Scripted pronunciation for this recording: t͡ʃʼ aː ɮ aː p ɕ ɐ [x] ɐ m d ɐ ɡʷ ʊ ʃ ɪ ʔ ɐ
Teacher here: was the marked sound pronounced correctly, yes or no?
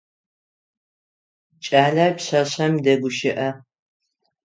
no